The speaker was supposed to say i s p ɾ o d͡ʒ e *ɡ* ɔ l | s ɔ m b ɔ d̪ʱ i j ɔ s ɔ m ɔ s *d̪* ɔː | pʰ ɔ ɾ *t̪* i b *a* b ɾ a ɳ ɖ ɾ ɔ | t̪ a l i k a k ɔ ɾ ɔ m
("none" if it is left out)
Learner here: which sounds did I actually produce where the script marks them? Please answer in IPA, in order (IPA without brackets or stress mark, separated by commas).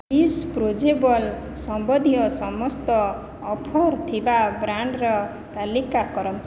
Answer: b, t̪, t̪ʰ, a